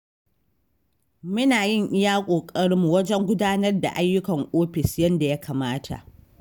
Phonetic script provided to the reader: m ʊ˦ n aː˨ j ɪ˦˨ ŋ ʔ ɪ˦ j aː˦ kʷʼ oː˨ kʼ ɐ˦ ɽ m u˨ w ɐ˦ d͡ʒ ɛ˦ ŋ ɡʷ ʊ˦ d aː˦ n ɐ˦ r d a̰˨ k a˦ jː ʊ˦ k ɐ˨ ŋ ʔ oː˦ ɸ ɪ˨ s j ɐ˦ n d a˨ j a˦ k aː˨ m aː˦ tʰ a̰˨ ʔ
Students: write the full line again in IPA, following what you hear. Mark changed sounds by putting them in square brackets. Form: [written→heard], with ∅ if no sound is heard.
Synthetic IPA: m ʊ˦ n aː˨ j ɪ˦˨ ŋ ʔ ɪ˦ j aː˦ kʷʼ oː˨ kʼ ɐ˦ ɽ m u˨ w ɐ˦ d͡ʒ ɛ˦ ŋ ɡʷ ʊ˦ d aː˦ n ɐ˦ r d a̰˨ [k→ʔ] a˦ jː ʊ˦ k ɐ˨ ŋ ʔ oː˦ ɸ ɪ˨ s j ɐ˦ n d a˨ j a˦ k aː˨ m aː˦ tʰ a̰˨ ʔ